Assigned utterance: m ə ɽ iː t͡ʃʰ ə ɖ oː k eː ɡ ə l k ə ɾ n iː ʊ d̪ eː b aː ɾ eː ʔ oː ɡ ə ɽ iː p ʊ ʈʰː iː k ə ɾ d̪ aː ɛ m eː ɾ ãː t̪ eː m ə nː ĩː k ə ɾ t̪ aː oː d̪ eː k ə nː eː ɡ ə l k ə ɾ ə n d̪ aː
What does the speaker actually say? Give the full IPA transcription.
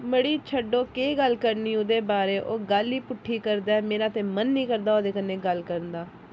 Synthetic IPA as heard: m ə ɽ iː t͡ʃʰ ə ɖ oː k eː ɡ ə l k ə ɾ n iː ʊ d̪ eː b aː ɾ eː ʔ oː ɡ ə l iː p ʊ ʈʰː iː k ə ɾ d̪ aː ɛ m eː ɾ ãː t̪ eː m ə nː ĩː k ə ɾ d̪ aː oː d̪ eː k ə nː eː ɡ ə l k ə ɾ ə n d̪ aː